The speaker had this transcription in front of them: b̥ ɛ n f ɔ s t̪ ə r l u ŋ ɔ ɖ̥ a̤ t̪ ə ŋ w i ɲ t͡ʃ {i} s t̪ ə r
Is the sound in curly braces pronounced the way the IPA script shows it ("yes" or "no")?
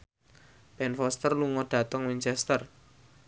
no